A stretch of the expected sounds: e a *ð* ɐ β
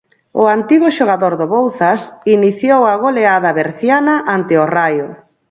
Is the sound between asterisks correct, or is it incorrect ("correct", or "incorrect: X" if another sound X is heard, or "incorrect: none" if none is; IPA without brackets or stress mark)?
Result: correct